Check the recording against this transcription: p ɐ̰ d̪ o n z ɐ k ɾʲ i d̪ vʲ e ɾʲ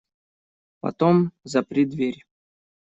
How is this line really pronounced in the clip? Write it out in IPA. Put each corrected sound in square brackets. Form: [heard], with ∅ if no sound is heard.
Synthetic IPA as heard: p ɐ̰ [t̪] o [m] z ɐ [p] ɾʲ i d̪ vʲ e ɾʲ